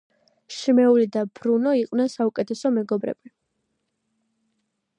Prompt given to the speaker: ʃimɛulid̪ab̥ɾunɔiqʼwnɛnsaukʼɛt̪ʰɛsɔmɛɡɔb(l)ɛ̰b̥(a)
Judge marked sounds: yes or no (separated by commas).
no, no